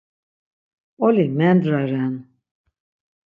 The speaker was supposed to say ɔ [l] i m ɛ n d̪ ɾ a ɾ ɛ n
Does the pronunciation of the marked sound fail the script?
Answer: no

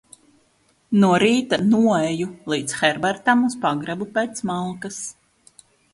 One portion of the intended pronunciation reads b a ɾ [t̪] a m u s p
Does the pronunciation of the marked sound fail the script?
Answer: no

